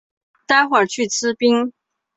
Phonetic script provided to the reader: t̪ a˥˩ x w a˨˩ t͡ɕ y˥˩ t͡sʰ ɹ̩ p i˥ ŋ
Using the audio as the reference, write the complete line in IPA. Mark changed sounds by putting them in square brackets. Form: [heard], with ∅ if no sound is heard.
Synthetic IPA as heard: t̪ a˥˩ x w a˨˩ [t͡ɕʰ] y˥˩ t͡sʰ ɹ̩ p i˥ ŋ